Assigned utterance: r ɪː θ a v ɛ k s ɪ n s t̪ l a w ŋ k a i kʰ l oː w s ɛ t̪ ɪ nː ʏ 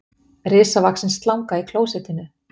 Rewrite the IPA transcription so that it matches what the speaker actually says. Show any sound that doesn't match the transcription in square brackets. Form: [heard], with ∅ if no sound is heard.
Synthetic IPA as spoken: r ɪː [s] a v [a] k s ɪ n s t̪ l a w ŋ k a i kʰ l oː w s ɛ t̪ ɪ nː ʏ